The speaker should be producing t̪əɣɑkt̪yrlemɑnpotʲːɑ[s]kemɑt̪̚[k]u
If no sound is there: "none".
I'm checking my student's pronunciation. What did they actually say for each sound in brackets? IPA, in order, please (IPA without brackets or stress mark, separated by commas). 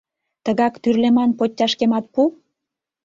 ʃ, p